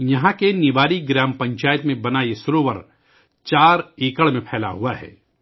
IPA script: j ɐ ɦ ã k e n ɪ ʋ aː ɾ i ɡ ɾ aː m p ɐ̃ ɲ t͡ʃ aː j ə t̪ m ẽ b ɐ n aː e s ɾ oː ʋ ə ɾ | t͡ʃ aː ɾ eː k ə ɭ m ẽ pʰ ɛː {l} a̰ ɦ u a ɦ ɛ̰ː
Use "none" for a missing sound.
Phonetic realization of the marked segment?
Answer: l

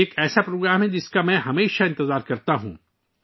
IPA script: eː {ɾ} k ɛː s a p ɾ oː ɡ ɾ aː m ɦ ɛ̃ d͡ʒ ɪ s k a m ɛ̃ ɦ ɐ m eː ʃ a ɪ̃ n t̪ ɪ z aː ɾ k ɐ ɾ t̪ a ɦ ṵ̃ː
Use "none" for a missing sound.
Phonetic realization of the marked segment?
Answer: none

